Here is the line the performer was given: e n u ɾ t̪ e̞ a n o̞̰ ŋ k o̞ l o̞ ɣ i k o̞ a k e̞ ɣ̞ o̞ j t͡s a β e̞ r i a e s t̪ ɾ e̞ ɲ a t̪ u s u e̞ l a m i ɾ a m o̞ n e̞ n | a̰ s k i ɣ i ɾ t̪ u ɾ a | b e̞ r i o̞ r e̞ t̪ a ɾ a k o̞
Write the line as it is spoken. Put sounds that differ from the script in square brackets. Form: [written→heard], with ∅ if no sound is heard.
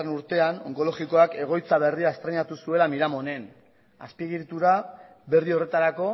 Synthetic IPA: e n u ɾ t̪ e̞ a n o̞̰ ŋ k o̞ l o̞ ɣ i k o̞ a k e̞ ɣ̞ o̞ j t͡s a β e̞ r i a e s t̪ ɾ e̞ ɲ a t̪ u s u e̞ l a m i ɾ a m o̞ n e̞ n | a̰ s [k→p] i ɣ i ɾ t̪ u ɾ a | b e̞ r i o̞ r e̞ t̪ a ɾ a k o̞